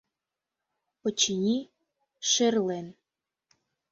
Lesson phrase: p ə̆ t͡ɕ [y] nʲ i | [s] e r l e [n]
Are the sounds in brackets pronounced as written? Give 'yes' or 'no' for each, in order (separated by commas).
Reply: no, no, yes